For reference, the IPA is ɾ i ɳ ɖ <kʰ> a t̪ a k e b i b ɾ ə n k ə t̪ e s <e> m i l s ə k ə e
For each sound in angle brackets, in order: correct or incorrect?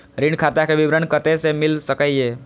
correct, correct

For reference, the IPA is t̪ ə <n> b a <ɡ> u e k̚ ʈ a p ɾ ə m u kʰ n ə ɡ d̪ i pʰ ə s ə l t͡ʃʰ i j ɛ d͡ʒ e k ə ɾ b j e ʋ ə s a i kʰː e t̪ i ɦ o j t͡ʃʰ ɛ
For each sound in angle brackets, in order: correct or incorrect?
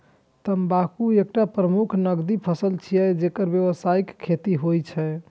incorrect: m, incorrect: k

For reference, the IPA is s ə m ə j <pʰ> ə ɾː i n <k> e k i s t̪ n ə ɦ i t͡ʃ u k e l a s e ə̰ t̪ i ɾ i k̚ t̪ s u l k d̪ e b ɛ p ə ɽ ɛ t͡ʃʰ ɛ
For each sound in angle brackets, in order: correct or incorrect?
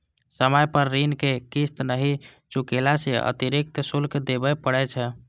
incorrect: p, correct

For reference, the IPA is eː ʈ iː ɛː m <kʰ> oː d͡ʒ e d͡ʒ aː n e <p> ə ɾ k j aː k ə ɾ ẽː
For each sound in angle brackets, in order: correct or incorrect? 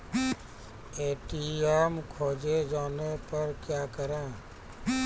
correct, correct

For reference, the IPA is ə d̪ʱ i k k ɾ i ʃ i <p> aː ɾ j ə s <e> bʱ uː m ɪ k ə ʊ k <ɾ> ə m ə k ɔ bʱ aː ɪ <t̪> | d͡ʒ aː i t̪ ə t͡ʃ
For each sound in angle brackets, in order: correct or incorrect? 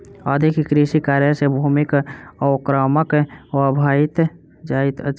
incorrect: k, correct, correct, correct

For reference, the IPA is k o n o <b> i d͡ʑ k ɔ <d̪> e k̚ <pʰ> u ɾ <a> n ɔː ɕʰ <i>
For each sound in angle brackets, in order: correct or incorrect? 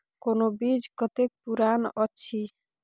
correct, incorrect: t̪, incorrect: p, correct, correct

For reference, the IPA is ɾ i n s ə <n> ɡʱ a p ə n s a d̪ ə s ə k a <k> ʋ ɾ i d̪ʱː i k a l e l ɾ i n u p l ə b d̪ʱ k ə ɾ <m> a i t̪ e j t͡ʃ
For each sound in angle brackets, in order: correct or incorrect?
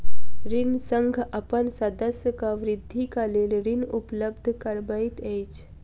incorrect: ŋ, incorrect: none, incorrect: b

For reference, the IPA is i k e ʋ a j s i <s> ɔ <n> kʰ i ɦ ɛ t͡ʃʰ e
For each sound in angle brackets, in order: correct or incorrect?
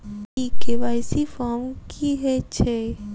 incorrect: f, incorrect: m

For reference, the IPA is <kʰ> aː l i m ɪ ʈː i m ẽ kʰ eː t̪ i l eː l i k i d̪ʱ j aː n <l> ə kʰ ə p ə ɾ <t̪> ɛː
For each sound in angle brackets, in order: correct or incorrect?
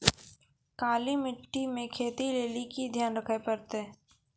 incorrect: k, incorrect: ɾ, correct

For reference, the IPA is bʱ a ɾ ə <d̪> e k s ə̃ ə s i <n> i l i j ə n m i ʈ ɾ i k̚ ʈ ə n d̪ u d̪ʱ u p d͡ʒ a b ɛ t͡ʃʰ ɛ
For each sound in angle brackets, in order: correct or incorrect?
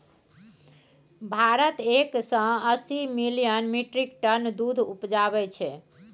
incorrect: t̪, incorrect: m

